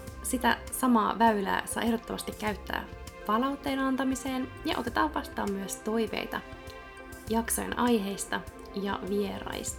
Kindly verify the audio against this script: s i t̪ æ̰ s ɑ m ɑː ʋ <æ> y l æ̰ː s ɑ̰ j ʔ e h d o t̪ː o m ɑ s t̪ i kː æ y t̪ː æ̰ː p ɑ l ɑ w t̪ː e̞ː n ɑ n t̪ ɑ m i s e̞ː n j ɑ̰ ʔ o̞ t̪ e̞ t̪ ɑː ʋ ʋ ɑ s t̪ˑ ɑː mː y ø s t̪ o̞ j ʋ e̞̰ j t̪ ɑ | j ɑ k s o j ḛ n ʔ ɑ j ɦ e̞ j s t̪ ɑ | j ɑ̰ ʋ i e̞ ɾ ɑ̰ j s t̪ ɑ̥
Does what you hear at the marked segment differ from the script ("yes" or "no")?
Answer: no